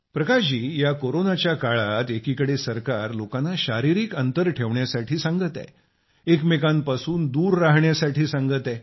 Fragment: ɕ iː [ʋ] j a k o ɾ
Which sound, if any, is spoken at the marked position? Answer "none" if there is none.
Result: none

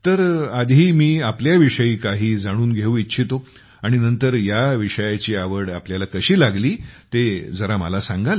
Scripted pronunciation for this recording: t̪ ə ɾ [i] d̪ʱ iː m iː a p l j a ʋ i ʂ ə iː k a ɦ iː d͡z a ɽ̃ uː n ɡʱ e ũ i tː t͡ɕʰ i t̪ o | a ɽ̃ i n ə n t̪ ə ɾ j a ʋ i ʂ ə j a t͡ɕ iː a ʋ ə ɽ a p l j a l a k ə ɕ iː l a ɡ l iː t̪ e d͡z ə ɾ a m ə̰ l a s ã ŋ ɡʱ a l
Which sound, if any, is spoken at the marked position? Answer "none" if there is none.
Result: a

